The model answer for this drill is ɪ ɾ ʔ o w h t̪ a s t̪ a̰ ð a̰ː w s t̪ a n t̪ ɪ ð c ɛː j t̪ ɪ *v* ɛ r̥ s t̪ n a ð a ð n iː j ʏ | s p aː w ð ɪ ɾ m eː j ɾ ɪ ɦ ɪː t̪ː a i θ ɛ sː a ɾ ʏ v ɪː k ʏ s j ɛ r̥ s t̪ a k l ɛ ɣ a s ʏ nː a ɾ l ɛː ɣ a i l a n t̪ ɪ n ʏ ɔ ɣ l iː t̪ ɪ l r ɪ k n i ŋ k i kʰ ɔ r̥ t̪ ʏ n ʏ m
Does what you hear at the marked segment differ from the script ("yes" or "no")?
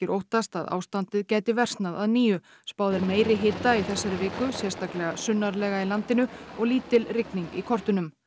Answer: no